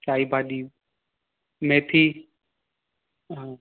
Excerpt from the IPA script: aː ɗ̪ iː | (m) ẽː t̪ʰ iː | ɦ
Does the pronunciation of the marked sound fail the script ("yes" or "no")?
no